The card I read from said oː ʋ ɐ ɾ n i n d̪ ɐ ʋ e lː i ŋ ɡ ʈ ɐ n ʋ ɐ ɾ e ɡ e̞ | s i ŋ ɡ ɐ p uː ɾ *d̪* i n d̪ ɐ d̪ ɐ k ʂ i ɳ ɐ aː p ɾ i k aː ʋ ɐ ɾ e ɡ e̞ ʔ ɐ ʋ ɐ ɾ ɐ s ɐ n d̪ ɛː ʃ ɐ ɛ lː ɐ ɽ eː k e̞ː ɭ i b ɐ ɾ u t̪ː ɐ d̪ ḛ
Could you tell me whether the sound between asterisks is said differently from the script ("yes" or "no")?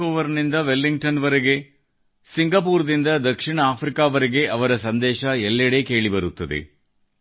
no